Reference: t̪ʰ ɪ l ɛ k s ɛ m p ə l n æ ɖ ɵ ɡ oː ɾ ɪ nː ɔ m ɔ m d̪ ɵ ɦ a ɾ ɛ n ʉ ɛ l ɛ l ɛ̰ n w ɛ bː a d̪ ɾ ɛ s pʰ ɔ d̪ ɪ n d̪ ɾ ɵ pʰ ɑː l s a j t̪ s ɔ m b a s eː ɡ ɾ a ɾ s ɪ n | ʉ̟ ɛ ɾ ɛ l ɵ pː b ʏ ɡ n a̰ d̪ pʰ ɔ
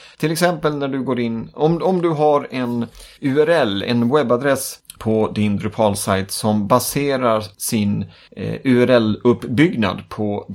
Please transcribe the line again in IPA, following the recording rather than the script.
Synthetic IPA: t̪ʰ ɪ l ɛ k s ɛ m p ə l n æ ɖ ɵ ɡ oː ɾ ɪ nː ɔ m ɔ m d̪ ɵ ɦ a ɾ ɛ n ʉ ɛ ɾ ɛ l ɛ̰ n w ɛ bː a d̪ ɾ ɛ s pʰ ɔ d̪ ɪ n d̪ ɾ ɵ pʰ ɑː l s a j t̪ s ɔ m b a s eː ɾ a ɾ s ɪ n | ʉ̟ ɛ ɾ ɛ l ɵ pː b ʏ ɡ n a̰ d̪ pʰ ɔ